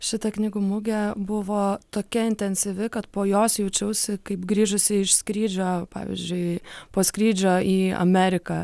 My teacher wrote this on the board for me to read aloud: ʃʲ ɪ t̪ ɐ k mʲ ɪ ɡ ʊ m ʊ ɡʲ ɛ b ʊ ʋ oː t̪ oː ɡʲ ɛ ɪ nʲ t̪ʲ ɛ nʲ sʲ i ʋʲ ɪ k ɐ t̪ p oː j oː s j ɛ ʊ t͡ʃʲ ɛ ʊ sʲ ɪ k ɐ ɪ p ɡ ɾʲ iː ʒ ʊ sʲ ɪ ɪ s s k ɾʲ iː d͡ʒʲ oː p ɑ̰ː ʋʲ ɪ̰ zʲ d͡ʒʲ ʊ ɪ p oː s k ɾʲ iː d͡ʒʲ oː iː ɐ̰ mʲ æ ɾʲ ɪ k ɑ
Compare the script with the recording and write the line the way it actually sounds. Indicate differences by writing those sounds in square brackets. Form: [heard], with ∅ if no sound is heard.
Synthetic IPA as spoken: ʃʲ ɪ t̪ ɐ k [nʲ] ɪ ɡ ʊ m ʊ ɡʲ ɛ b ʊ ʋ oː t̪ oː [kʲ] ɛ ɪ nʲ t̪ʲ ɛ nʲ sʲ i ʋʲ ɪ k ɐ t̪ p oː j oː s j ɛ ʊ t͡ʃʲ ɛ ʊ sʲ ɪ k ɐ ɪ p ɡ ɾʲ iː ʒ ʊ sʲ ɪ ɪ [ʃ] s k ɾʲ iː d͡ʒʲ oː p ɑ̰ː ʋʲ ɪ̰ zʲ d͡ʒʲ ʊ ɪ p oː s k ɾʲ iː d͡ʒʲ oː iː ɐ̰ mʲ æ ɾʲ ɪ k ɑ